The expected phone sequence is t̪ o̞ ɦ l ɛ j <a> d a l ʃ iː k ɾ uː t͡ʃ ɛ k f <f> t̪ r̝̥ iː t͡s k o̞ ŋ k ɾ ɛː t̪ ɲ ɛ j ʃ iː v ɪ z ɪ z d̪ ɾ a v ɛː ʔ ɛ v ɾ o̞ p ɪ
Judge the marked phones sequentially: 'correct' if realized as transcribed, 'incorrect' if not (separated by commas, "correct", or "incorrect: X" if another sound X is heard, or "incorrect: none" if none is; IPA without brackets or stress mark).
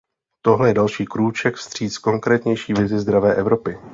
incorrect: ɛ, incorrect: s